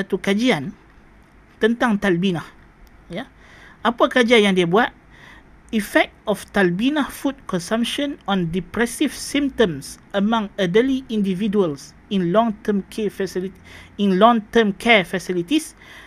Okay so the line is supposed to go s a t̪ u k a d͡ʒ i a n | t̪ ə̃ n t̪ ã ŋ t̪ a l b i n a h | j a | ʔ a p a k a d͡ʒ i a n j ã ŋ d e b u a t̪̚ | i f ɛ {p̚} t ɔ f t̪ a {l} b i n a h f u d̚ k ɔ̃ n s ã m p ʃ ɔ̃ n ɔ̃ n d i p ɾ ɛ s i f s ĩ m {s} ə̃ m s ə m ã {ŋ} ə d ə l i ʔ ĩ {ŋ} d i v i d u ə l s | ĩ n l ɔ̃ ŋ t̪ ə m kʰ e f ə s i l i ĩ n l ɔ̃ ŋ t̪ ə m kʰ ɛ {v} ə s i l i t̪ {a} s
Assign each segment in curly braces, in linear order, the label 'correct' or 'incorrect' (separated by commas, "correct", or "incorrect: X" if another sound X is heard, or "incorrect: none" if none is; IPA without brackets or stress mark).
incorrect: k̚, correct, incorrect: t, correct, incorrect: n, incorrect: f, incorrect: i